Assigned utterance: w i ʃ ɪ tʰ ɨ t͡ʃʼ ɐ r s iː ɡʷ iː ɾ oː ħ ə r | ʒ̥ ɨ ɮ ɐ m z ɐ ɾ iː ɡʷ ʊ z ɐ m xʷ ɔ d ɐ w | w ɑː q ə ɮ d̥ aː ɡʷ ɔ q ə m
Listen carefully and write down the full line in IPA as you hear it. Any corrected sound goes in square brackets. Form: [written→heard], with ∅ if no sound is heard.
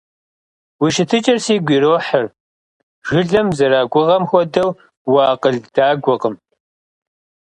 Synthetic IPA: w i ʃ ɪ tʰ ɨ t͡ʃʼ ɐ r s iː ɡʷ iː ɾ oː ħ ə r | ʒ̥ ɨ ɮ ɐ m z ɐ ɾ [iː→aː] ɡʷ ʊ [z→ʁ] ɐ m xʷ ɔ d ɐ w | w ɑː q ə ɮ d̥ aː ɡʷ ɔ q ə m

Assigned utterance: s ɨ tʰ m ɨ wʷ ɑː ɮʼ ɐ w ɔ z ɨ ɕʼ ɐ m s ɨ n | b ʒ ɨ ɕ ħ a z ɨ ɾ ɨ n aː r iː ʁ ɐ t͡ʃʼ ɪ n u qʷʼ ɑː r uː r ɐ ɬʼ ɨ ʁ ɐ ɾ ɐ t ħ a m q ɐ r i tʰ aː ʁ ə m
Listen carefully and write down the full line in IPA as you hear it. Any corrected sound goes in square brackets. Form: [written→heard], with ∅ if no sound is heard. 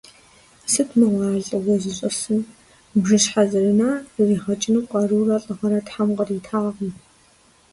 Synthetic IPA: s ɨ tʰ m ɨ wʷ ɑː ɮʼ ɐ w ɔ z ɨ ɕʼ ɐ [m→∅] s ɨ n | b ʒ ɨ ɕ ħ a z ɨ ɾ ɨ n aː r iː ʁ ɐ t͡ʃʼ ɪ n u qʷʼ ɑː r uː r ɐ ɬʼ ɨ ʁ ɐ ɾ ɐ t ħ a m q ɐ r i tʰ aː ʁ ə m

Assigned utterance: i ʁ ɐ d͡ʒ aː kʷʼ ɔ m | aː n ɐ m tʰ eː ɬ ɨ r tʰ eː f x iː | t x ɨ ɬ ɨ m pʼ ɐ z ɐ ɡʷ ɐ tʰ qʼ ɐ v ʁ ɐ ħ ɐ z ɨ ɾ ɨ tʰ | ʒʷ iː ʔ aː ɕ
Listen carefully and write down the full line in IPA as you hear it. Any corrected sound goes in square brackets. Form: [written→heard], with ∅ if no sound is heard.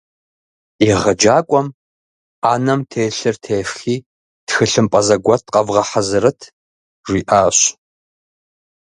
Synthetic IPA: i ʁ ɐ d͡ʒ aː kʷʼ ɔ m | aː n ɐ m tʰ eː ɬ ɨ r tʰ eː f x iː | t x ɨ ɬ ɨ m pʼ ɐ z ɐ ɡʷ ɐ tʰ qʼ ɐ v ʁ ɐ ħ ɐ z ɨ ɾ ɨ tʰ | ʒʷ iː ʔ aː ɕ

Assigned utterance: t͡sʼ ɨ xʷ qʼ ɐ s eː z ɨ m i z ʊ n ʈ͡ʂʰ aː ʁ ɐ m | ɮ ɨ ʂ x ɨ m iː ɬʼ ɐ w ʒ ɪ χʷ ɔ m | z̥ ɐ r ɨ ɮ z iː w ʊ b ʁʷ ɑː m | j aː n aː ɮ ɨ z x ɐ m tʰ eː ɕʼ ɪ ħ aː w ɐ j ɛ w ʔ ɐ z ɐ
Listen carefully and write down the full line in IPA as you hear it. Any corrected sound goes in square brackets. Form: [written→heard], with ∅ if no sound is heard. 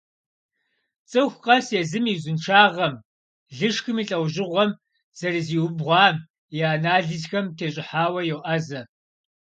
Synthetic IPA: t͡sʼ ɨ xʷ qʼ ɐ s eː z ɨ m i z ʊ n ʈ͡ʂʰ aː ʁ ɐ m | ɮ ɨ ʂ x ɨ m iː ɬʼ ɐ w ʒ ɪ [χʷ→ʁʷ] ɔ m | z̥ ɐ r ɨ [ɮ→∅] z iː w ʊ b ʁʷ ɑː m | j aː n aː ɮ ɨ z x ɐ m tʰ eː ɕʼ ɪ ħ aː w ɐ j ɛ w ʔ ɐ z ɐ

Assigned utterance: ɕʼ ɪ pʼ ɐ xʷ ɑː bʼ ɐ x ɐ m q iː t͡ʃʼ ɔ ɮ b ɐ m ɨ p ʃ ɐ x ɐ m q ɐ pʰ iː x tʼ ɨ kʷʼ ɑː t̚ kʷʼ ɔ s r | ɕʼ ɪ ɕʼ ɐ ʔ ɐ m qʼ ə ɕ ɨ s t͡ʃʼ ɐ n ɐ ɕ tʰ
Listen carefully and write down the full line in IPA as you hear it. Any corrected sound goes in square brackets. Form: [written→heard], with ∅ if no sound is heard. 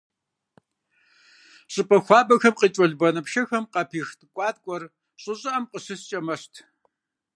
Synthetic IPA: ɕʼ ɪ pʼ ɐ xʷ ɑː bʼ ɐ x ɐ m q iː t͡ʃʼ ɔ ɮ b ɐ [m→n] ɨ p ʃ ɐ x ɐ m q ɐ pʰ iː x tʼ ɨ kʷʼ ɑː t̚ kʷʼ ɔ [s→∅] r | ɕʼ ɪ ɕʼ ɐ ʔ ɐ m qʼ ə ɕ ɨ s t͡ʃʼ ɐ [n→m] ɐ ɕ tʰ

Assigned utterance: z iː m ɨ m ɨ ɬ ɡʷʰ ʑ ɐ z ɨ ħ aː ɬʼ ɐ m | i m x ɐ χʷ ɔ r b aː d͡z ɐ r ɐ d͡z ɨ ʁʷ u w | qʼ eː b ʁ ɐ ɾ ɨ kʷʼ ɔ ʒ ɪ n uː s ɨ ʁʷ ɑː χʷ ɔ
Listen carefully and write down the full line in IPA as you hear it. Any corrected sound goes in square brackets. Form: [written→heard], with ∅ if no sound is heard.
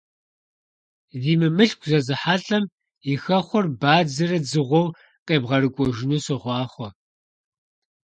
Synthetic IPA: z iː m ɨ m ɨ ɬ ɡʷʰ [ʑ→z] ɐ z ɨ ħ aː ɬʼ ɐ m | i [m→∅] x ɐ χʷ ɔ r b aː d͡z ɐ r ɐ d͡z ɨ ʁʷ [u→ɔ] w | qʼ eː b ʁ ɐ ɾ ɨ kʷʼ ɔ ʒ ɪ n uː s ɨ ʁʷ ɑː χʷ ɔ

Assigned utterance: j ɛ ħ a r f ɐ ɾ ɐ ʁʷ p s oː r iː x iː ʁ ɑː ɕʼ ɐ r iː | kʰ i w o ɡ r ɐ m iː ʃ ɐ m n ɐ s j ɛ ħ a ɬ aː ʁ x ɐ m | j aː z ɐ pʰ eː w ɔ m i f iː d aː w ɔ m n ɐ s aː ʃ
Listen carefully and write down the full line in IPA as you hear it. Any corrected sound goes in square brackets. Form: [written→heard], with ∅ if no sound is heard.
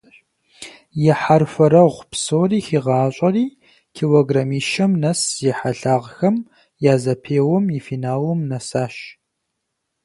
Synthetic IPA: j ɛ ħ a r f ɐ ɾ ɐ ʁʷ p s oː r iː x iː ʁ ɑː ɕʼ ɐ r iː | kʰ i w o ɡ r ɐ m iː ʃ ɐ m n ɐ s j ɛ ħ a ɬ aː ʁ x ɐ m | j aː z ɐ pʰ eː w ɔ m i f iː [d→n] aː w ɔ m n ɐ s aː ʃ

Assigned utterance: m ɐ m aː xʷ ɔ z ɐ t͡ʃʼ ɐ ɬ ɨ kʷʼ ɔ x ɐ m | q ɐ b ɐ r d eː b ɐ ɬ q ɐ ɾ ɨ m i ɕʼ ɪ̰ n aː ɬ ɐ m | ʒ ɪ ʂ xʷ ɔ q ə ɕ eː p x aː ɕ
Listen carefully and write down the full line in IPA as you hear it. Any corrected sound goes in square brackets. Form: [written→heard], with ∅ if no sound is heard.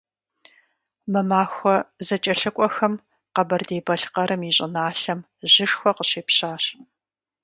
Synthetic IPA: m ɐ m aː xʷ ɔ z ɐ t͡ʃʼ ɐ ɬ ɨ kʷʼ ɔ x ɐ m | q ɐ b ɐ r d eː b ɐ ɬ q ɐ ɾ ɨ m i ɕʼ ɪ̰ n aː ɬ ɐ m | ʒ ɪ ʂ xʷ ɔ q ə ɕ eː p [x→ɕ] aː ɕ

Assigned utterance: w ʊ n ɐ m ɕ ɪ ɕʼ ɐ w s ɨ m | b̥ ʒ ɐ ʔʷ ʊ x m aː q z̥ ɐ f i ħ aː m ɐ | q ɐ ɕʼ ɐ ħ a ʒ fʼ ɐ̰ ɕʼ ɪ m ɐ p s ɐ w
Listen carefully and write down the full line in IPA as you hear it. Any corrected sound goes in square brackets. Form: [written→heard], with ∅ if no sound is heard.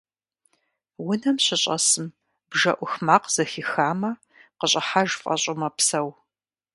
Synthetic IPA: w ʊ n ɐ m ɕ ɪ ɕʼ ɐ [w→∅] s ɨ m | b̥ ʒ ɐ ʔʷ ʊ x m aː q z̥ ɐ [f→x] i [ħ→x] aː m ɐ | q [ɐ→ə] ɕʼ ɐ ħ a ʒ fʼ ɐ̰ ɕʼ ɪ m ɐ p s ɐ w

